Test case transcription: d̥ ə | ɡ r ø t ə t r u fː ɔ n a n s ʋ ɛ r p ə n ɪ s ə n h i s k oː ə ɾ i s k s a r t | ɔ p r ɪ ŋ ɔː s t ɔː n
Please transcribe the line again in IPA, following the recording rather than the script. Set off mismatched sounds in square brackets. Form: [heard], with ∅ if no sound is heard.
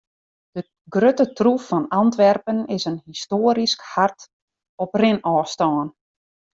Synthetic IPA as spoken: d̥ ə | ɡ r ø t ə t r u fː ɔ n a n [t] ʋ ɛ r p ə n ɪ s ə n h i s [t] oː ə ɾ i s k [h] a r t | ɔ p r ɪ [n] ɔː s t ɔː n